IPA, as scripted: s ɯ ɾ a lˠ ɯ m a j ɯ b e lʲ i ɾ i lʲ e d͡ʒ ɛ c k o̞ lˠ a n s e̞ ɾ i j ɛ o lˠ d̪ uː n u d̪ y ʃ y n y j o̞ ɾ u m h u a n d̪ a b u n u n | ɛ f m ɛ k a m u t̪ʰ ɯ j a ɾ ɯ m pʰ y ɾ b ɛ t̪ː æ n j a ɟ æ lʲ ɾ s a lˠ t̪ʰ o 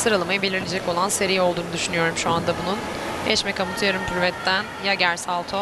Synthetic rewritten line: s ɯ ɾ a lˠ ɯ m a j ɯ b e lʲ i ɾ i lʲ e d͡ʒ ɛ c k o̞ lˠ a n s e̞ ɾ i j ɛ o lˠ d̪ uː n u d̪ y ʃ y n y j o̞ ɾ u m ʃ u a n d̪ a b u n u n | ɛ ʃ m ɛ k a m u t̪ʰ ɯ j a ɾ ɯ m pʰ y ɾ v ɛ t̪ː æ n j a ɟ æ ɾ s a lˠ t̪ʰ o